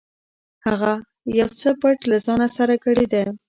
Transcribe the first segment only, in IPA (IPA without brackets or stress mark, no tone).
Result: h